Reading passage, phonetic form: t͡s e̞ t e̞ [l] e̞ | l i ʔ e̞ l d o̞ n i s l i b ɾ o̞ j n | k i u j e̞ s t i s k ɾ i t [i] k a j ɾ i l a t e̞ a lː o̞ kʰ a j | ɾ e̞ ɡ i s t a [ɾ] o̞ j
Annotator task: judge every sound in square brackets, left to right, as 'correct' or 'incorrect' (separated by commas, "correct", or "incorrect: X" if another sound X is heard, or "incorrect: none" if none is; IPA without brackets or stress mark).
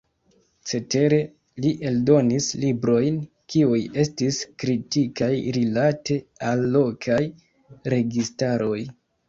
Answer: incorrect: ɾ, correct, correct